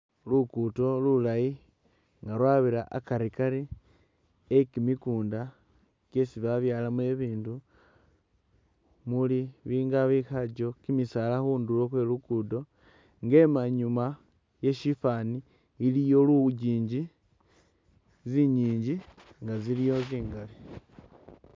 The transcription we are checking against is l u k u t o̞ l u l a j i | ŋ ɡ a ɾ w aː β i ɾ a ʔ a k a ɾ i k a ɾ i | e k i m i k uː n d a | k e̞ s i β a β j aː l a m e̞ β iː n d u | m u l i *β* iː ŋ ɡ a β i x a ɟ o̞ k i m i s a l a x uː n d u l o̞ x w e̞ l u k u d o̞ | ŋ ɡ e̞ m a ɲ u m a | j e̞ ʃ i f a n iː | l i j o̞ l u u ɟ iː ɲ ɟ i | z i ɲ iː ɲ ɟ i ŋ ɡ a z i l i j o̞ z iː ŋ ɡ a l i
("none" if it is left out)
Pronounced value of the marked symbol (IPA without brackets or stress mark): β